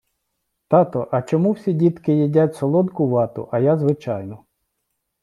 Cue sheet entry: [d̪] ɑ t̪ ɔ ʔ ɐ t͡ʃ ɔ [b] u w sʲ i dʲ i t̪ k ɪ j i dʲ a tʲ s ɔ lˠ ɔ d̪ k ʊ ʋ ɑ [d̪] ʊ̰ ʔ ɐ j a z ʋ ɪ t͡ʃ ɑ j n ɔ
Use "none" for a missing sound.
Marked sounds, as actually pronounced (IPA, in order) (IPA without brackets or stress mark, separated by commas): t̪, m, t̪